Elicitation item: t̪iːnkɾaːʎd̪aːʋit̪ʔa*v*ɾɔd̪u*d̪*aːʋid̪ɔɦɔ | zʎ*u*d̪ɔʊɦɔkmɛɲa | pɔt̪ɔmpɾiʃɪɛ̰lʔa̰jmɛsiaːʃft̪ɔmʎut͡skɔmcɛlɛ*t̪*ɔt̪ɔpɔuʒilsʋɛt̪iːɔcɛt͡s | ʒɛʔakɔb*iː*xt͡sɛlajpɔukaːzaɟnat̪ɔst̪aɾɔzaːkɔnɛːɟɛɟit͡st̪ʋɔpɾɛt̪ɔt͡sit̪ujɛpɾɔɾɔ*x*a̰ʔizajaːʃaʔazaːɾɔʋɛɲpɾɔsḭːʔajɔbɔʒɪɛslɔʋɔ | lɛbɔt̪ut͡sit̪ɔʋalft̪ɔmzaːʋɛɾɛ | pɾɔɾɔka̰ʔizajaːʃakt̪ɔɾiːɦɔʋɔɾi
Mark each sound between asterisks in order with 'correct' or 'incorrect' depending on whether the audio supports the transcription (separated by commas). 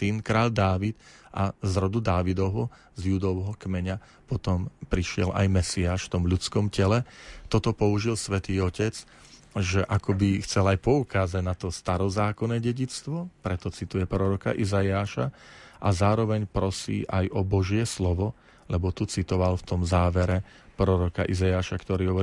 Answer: incorrect, correct, correct, correct, incorrect, incorrect